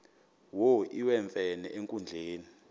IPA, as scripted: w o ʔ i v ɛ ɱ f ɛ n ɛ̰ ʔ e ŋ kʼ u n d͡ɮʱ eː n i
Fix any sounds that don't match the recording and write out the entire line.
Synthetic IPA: w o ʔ i w ɛ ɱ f ɛ n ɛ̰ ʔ e ŋ kʼ u n d͡ɮʱ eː n i